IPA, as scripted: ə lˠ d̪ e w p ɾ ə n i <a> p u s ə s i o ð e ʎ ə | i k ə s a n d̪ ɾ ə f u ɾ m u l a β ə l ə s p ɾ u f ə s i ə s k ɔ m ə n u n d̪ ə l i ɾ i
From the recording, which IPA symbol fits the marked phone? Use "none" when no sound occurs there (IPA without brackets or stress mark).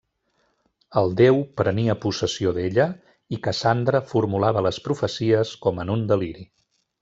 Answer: ə